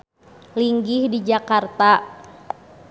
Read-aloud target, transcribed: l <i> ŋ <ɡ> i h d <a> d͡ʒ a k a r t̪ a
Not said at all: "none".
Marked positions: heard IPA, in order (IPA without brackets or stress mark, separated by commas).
i, ɡ, i